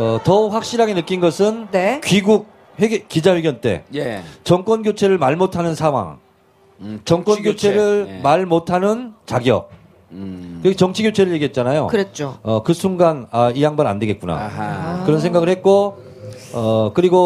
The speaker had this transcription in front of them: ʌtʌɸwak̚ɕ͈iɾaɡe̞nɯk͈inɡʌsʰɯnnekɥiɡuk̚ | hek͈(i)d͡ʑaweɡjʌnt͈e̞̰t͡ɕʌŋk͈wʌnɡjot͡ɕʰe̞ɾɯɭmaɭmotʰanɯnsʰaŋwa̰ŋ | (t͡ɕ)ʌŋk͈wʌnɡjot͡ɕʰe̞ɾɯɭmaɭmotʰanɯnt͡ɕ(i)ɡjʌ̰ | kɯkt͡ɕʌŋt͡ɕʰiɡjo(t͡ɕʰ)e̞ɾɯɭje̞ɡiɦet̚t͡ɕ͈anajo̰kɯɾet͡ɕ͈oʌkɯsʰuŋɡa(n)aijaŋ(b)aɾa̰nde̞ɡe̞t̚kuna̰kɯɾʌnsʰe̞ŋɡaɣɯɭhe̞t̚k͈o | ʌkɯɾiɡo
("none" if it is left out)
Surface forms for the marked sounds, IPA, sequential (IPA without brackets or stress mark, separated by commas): i, t͡ɕ, a, t͡ɕʰ, n, b